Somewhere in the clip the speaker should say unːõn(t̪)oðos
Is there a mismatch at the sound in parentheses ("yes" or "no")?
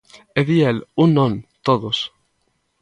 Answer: no